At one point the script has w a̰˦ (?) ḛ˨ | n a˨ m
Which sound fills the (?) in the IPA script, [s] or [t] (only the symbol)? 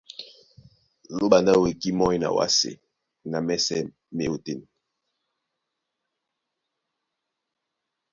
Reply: s